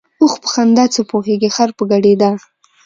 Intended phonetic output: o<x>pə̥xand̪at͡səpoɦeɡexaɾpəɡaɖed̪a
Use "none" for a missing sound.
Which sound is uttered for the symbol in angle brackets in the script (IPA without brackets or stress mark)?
x